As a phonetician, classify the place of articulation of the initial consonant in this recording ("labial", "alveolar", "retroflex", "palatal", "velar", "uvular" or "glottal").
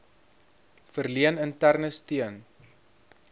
labial